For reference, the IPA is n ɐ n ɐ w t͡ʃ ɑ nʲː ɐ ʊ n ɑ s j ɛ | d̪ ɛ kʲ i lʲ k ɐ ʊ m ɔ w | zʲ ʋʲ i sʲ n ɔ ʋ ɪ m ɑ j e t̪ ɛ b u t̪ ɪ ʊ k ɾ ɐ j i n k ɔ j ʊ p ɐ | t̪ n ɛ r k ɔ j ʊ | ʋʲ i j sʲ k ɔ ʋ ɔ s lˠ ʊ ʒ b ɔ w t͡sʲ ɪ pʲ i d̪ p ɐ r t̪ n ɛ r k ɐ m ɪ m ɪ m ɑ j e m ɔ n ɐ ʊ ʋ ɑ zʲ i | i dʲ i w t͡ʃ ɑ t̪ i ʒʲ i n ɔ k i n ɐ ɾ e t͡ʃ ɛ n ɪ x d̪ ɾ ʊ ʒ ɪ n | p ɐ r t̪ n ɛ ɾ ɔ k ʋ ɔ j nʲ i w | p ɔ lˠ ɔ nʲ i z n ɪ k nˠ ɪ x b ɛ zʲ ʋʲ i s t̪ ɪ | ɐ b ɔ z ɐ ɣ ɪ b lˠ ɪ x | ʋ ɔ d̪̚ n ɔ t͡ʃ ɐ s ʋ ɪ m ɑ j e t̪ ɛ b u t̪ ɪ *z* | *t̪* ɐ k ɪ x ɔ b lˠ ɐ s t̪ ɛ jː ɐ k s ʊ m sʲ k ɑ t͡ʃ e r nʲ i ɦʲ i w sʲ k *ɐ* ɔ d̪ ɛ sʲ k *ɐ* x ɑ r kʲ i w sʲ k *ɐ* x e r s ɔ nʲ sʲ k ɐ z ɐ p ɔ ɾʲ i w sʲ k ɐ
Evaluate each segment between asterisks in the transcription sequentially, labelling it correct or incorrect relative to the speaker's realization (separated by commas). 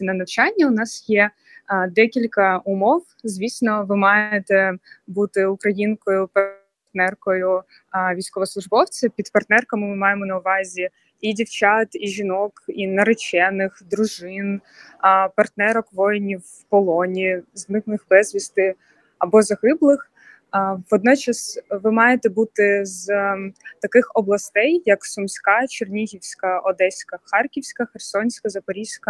correct, correct, correct, correct, correct